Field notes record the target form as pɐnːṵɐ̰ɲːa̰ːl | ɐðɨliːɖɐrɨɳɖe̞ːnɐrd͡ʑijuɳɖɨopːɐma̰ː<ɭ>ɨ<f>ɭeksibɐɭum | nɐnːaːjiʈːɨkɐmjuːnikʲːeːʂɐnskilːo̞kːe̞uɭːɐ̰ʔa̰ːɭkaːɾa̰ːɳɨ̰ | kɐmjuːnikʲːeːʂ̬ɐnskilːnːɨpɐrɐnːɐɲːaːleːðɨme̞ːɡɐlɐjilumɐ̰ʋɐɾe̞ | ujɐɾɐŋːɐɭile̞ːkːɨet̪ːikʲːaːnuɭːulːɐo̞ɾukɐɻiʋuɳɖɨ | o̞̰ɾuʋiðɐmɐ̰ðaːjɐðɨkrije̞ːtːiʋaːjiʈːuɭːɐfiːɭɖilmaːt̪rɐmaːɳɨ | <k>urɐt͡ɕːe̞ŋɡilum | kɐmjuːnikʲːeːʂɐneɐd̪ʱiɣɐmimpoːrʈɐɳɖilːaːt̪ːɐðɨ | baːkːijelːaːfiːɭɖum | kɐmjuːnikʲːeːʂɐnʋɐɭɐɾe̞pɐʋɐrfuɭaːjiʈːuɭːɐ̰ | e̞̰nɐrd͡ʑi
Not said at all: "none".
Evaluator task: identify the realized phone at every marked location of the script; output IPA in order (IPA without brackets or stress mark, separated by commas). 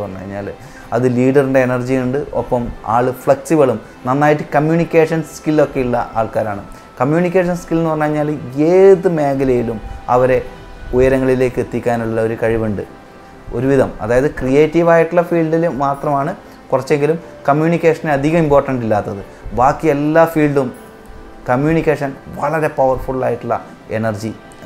ɭ, f, k